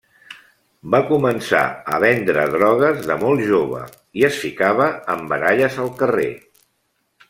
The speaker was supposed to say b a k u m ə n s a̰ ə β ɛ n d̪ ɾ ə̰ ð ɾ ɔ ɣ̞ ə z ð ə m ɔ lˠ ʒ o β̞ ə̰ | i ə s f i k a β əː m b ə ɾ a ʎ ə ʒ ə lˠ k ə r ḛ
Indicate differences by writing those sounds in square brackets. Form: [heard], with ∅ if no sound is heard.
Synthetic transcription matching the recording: b a k u m ə n s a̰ ə β ɛ n d̪ ɾ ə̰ ð ɾ ɔ ɣ̞ ə z ð ə m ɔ lˠ ʒ o β̞ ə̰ | i ə s f i k a β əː m b ə ɾ a ʎ ə [z] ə lˠ k ə r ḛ